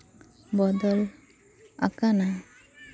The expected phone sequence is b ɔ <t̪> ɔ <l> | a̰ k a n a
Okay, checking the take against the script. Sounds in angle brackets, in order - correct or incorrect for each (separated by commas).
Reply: incorrect, correct